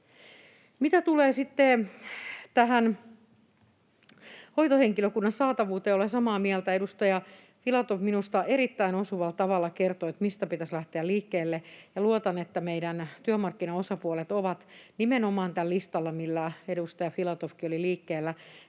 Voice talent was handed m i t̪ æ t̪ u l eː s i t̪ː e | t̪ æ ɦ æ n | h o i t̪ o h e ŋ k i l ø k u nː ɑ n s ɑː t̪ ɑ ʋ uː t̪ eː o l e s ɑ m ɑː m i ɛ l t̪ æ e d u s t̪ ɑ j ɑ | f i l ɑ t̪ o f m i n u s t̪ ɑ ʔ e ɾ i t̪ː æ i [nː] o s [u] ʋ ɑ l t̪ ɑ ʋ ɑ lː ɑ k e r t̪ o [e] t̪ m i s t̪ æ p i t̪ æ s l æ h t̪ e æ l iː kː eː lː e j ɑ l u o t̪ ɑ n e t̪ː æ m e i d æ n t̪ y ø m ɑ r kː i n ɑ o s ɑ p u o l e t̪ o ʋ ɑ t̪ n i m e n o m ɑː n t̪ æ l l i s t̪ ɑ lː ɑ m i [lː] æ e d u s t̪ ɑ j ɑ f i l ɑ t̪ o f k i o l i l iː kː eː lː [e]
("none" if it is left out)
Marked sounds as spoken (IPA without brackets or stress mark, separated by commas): n, u, e, lː, æ